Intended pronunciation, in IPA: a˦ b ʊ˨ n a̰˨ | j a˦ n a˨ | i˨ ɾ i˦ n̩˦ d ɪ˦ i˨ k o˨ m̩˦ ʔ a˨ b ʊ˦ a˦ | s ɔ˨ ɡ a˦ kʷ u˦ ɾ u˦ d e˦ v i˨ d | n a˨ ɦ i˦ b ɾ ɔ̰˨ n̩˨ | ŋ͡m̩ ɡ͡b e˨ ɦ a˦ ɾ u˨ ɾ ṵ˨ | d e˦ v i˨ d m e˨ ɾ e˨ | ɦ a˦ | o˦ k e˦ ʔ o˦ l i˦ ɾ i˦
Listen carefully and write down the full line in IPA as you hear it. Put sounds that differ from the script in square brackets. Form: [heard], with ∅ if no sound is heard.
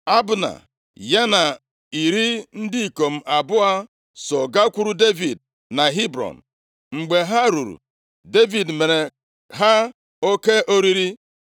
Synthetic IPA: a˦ b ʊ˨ n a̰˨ | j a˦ n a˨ | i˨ ɾ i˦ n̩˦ d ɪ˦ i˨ k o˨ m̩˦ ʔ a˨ b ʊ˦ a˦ | s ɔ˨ ɡ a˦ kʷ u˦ ɾ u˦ d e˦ v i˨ d | n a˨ ɦ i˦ b ɾ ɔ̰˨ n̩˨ | ŋ͡m̩ ɡ͡b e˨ ɦ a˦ ɾ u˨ ɾ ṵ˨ | d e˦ v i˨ d m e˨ ɾ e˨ | ɦ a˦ | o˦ k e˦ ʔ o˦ [ɾ] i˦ ɾ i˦